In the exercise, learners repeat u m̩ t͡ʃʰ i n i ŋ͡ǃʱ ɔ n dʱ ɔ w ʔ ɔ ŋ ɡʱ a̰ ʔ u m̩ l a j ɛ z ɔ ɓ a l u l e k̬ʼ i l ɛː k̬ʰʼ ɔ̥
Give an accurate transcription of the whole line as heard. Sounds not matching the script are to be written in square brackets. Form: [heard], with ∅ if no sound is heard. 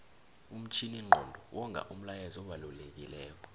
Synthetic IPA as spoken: u m̩ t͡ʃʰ i n i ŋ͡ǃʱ ɔ n dʱ ɔ w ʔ ɔ ŋ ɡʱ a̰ ʔ u m̩ l a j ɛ z ɔ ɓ a l u l e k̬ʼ i l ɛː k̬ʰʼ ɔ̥